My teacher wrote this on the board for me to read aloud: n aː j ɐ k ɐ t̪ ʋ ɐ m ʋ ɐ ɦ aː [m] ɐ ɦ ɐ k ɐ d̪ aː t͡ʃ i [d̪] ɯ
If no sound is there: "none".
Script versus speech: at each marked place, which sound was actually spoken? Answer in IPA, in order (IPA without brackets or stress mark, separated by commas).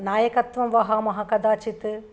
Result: m, t̪